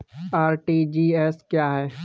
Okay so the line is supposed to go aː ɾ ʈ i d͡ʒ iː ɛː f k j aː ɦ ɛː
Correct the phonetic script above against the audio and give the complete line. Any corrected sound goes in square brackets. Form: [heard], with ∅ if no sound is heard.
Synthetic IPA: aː ɾ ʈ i d͡ʒ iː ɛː [s] k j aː ɦ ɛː